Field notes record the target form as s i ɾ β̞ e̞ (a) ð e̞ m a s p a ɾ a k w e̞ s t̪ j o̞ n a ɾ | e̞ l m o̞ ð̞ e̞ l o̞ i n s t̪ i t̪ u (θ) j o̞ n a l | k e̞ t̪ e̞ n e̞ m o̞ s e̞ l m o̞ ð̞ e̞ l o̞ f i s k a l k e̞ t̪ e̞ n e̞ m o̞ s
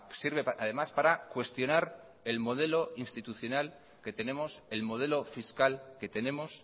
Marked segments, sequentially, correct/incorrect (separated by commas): correct, correct